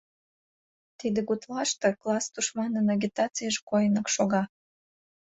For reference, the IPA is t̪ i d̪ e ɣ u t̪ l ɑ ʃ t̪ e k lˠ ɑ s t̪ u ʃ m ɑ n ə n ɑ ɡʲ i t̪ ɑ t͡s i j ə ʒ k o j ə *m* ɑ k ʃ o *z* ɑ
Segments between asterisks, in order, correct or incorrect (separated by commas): incorrect, incorrect